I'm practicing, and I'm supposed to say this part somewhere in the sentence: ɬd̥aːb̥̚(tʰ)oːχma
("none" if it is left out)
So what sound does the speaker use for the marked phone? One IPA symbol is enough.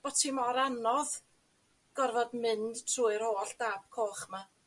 kʰ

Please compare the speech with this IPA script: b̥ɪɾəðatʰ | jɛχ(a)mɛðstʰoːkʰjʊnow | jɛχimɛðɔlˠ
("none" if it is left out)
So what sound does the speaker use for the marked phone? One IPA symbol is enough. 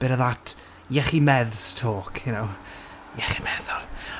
i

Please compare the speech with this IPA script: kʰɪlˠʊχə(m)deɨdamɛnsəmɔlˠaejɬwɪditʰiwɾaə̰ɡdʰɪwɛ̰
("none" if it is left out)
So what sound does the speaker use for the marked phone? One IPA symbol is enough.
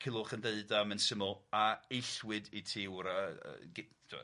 n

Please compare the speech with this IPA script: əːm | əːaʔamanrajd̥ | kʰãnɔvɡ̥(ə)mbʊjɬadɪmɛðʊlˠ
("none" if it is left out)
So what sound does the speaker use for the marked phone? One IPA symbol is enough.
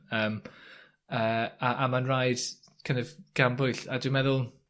a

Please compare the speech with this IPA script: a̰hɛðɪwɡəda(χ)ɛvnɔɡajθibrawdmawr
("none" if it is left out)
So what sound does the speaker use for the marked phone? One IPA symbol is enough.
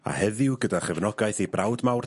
χ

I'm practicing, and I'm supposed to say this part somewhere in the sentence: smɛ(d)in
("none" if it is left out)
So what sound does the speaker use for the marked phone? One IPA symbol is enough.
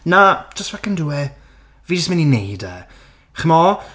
n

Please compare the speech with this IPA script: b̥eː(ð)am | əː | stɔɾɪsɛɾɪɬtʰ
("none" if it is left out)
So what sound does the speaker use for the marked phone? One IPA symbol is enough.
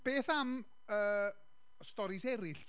θ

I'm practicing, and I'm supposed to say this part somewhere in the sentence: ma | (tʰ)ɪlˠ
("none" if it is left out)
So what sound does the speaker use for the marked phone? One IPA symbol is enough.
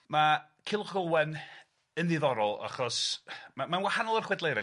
kʰ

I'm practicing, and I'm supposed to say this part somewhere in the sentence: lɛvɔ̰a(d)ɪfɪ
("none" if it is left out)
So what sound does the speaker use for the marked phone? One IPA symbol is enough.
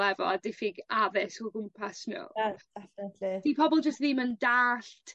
d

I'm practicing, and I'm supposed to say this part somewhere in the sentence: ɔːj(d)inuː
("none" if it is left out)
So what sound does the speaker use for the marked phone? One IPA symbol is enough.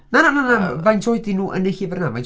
d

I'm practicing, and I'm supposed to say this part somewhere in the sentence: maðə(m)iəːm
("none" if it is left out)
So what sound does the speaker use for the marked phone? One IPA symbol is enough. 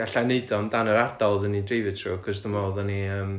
n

